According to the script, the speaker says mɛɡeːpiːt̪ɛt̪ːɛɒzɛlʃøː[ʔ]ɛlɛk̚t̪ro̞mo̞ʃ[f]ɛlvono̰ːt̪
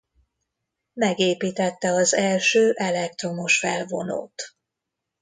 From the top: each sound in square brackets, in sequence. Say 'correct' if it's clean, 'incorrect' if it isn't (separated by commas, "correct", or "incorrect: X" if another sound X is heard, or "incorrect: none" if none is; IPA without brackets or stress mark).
correct, correct